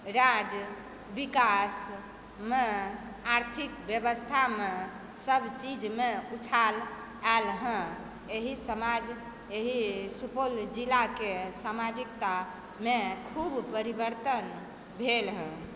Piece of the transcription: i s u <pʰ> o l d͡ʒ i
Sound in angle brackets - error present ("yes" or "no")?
yes